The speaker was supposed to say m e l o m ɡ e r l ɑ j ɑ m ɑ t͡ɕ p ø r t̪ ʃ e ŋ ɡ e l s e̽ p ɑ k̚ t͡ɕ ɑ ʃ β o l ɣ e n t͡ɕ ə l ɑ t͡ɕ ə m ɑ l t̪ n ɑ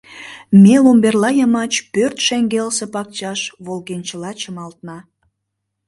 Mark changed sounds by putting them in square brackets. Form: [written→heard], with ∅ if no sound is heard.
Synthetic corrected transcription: m e l o m [ɡ→b] e r l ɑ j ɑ m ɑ t͡ɕ p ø r t̪ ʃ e ŋ ɡ e l s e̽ p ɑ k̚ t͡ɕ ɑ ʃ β o l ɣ e n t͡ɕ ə l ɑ t͡ɕ ə m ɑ l t̪ n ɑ